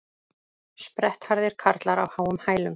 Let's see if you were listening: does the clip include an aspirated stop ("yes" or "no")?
yes